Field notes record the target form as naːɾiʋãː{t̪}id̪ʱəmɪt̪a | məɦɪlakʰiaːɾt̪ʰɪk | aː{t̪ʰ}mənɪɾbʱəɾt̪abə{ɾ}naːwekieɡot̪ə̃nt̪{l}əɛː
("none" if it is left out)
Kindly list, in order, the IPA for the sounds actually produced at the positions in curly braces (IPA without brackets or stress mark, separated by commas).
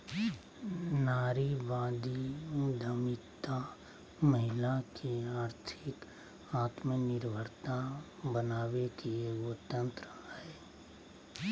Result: d̪, t̪, none, ɾ